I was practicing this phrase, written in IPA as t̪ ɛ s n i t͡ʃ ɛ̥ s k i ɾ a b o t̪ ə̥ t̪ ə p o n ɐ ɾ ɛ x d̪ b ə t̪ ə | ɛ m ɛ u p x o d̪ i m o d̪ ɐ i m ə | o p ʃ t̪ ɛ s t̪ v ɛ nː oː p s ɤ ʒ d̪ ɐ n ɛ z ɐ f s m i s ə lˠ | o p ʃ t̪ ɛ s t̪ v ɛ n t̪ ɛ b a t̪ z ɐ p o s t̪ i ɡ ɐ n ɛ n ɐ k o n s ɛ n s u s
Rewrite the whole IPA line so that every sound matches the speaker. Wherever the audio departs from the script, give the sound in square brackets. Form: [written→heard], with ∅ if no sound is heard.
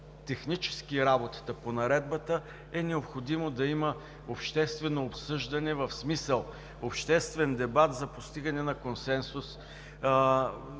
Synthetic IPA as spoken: t̪ ɛ [s→x] n i t͡ʃ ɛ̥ s k i ɾ a b o t̪ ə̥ t̪ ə p o n ɐ ɾ ɛ [x→∅] d̪ b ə t̪ ə | ɛ [m→n] ɛ [u→o] p x o d̪ i m o d̪ ɐ i m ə | o p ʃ t̪ ɛ s t̪ v ɛ [nː→n] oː p s ɤ ʒ d̪ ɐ n ɛ [z→v] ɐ f s m i s ə lˠ | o p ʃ t̪ ɛ s t̪ v ɛ n [t̪→d̪] ɛ b a t̪ z ɐ p o s t̪ i ɡ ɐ n ɛ n ɐ k o n s ɛ n s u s